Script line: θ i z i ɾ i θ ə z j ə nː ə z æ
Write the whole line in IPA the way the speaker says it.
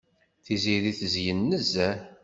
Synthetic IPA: θ i z i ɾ i θ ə z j ə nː ə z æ